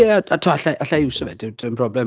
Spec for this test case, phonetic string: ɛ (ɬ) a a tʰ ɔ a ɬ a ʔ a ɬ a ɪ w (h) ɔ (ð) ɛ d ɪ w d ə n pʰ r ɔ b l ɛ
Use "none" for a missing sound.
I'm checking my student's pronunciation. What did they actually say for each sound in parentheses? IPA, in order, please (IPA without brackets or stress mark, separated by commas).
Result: none, s, v